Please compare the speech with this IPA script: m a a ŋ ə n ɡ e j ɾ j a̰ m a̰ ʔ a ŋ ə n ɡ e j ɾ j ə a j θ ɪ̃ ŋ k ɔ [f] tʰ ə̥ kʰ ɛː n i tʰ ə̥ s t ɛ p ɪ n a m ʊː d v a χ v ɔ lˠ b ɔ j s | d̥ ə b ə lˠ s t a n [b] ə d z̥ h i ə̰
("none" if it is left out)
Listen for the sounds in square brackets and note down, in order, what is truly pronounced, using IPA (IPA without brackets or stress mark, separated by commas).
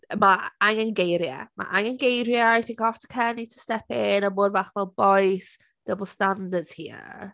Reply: f, d